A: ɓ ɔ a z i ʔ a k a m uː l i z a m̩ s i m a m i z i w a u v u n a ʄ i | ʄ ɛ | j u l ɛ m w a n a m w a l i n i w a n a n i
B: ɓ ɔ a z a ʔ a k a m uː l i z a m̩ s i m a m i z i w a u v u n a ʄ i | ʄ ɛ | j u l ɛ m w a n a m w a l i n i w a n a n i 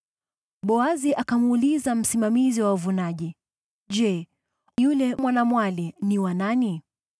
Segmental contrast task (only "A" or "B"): A